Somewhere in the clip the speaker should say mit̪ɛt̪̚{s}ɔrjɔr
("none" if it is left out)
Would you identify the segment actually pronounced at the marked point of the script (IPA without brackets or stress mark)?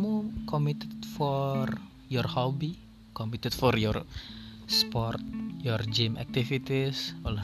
f